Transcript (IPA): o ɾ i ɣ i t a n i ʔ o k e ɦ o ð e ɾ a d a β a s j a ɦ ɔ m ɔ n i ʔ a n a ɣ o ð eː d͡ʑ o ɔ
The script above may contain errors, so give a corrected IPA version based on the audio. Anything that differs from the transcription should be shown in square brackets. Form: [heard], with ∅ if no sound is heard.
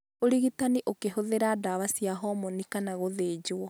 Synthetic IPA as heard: o ɾ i ɣ i t a n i ʔ o k e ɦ o ð e ɾ a d a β a s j a ɦ ɔ m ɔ n i [k] a n a ɣ o ð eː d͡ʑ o ɔ